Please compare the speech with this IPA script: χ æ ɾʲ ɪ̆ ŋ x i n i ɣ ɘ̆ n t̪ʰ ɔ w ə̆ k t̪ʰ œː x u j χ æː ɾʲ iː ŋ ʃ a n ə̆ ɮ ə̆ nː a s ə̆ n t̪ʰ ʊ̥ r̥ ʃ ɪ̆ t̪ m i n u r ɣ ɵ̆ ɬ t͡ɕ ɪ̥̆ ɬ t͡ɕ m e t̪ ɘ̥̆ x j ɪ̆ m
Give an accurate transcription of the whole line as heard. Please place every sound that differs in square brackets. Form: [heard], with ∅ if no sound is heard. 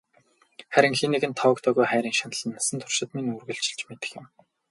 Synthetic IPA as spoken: χ æ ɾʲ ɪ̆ ŋ x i n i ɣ ɘ̆ n t̪ʰ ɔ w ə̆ k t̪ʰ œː [ɣ] u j χ æː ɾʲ iː ŋ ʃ a n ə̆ ɮ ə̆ nː a s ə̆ n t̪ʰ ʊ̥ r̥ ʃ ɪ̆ t̪ m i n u r ɣ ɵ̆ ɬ t͡ɕ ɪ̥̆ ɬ t͡ɕ m e t̪ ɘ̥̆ x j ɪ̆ m